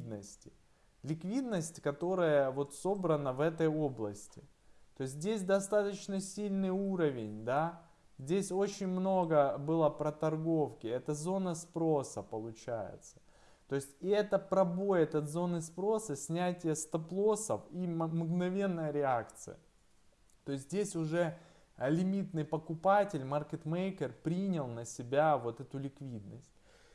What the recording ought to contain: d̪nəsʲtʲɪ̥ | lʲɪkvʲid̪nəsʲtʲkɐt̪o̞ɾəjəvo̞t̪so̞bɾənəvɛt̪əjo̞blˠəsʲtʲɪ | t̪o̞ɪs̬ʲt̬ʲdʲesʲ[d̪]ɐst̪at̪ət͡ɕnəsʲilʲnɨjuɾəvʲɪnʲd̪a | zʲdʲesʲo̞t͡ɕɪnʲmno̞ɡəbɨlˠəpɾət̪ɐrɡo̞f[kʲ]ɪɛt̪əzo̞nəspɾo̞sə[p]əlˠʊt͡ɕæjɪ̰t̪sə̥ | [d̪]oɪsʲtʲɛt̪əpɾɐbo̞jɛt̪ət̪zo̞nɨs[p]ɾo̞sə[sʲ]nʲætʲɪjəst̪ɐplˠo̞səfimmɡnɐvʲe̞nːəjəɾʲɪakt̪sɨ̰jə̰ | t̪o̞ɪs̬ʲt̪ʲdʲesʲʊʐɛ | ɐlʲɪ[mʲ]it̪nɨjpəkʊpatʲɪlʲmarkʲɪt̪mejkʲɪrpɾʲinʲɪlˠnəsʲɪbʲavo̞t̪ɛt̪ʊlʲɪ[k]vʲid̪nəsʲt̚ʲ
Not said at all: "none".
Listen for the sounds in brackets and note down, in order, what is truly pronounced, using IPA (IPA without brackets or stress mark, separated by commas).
d̪, kʲ, p, t̪, p, sʲ, mʲ, k